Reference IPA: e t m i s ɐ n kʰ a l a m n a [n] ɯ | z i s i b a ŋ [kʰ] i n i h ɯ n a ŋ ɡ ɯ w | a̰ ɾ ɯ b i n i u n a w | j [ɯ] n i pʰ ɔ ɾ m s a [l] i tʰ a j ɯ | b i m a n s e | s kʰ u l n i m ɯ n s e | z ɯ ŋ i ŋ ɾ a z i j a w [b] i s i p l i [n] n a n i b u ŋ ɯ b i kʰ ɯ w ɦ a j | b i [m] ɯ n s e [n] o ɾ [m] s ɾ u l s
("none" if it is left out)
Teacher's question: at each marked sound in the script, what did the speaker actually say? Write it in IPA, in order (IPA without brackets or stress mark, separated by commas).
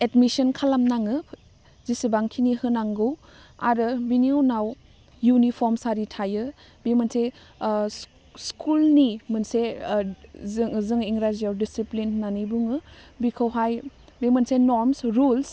ŋ, kʰ, u, ɾ, d, n, m, n, m